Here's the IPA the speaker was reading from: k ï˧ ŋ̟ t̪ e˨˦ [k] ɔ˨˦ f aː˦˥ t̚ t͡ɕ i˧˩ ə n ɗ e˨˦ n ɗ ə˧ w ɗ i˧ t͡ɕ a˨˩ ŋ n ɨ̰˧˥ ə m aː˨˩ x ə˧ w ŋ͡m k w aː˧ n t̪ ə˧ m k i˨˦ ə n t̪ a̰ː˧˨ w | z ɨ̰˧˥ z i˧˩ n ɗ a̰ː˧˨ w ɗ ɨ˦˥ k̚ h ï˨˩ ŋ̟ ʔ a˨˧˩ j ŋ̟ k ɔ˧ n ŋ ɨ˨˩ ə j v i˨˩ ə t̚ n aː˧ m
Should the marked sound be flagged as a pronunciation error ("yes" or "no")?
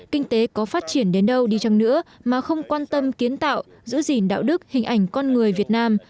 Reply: no